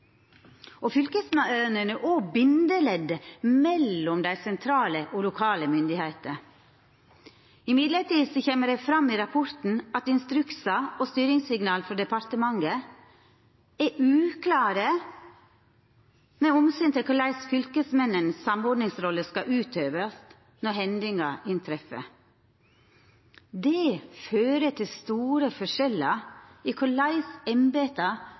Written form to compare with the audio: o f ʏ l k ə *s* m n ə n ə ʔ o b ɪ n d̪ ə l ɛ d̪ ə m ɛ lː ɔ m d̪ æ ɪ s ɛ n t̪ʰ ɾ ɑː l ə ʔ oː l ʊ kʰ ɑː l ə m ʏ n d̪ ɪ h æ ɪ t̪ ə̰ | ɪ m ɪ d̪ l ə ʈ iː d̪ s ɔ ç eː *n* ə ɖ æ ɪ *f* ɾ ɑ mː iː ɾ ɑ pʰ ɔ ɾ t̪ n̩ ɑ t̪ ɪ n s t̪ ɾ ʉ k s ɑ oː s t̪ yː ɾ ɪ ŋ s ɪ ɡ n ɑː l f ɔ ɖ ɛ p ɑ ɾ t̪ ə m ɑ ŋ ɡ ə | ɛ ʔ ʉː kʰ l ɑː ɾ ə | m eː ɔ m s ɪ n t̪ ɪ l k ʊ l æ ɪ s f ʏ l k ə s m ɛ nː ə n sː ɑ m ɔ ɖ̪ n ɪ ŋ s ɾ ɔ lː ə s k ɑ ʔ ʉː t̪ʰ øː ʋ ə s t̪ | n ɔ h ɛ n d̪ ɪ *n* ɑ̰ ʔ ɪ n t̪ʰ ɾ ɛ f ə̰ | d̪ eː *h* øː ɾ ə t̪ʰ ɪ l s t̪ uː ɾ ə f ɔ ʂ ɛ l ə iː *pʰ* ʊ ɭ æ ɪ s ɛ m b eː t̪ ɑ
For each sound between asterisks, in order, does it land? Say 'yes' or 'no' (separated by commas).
yes, no, yes, no, no, no